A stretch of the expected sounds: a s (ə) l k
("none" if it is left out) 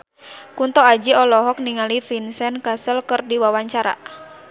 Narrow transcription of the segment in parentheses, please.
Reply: ə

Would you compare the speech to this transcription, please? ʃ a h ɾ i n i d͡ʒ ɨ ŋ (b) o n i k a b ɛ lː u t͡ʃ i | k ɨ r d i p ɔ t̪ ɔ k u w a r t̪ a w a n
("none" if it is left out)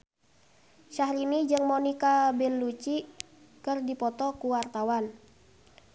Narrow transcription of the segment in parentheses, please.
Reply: m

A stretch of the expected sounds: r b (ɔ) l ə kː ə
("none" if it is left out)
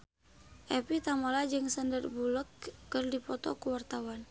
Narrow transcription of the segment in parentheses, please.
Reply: u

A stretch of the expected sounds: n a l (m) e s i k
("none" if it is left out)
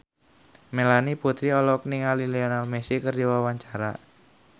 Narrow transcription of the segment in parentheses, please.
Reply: m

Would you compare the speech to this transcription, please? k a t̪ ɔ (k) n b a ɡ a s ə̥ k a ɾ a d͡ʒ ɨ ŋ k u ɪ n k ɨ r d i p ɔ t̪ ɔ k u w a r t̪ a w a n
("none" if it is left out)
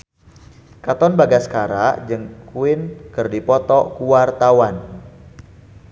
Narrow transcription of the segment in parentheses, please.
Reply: none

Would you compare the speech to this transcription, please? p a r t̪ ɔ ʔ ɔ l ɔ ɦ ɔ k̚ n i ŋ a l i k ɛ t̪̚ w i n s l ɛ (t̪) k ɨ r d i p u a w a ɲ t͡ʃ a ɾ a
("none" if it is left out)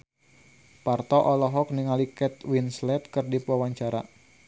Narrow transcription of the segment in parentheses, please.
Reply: t̪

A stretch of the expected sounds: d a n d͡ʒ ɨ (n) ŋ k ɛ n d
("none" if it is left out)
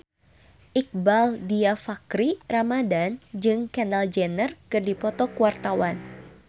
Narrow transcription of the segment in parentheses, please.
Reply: none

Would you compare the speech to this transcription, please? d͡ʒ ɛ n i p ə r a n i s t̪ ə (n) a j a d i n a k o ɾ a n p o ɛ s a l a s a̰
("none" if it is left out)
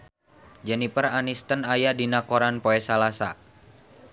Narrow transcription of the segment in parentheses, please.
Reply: n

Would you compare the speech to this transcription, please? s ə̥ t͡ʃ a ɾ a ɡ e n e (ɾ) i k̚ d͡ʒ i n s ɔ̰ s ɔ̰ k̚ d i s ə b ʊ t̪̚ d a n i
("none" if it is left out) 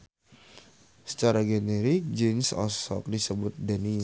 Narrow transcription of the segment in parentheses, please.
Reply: ɾ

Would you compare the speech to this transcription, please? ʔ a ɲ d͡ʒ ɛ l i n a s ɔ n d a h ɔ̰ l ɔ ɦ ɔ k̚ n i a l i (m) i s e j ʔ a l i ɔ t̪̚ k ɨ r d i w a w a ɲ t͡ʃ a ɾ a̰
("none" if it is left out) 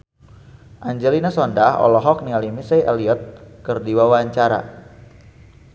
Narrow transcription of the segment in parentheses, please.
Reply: m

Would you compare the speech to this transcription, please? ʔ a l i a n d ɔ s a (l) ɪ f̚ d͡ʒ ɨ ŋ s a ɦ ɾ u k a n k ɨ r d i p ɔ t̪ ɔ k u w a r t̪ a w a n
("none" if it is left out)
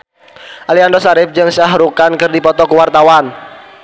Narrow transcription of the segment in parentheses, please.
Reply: ɾ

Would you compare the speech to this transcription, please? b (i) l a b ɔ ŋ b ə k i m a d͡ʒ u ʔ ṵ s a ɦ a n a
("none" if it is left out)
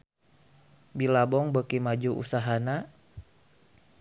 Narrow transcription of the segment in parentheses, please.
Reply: i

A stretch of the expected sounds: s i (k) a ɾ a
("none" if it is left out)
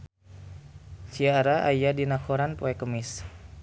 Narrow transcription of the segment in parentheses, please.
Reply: none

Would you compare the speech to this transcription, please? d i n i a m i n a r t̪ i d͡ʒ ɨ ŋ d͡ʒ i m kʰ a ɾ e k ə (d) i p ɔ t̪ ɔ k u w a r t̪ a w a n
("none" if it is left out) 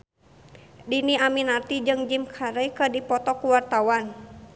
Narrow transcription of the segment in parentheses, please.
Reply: d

